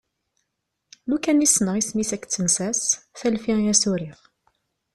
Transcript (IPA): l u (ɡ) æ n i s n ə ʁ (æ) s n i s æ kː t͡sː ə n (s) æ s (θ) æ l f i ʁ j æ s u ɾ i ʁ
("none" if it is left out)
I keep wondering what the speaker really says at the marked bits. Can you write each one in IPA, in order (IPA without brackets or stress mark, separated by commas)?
k, i, s, θ